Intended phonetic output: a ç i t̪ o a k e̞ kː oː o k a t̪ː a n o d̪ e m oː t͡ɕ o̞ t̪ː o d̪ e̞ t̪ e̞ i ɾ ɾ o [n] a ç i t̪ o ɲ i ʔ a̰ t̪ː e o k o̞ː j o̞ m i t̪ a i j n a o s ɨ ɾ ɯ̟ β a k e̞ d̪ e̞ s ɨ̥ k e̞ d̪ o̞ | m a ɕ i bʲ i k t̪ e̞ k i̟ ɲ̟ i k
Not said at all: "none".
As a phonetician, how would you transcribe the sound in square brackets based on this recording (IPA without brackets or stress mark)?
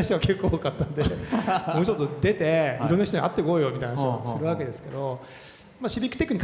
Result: nː